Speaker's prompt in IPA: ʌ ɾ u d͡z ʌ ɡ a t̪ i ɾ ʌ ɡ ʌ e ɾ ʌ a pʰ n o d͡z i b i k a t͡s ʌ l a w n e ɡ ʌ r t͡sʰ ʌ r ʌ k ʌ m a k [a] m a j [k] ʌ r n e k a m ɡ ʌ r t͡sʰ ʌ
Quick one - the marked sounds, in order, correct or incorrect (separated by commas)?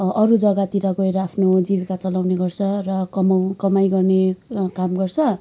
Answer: incorrect, incorrect